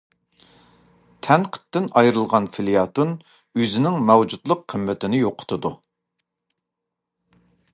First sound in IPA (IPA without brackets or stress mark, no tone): t̪ʰ